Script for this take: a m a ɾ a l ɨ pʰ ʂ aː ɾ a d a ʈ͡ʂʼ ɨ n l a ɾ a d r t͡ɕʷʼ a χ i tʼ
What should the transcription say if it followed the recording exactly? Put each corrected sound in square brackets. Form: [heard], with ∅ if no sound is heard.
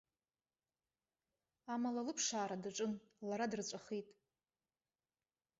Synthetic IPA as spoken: a m a [l] a l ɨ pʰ ʂ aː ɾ a d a ʈ͡ʂʼ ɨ n l a ɾ a d r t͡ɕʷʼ a χ i tʼ